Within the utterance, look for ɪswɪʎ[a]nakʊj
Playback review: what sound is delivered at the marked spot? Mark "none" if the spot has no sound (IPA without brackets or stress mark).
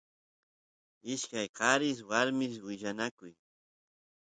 a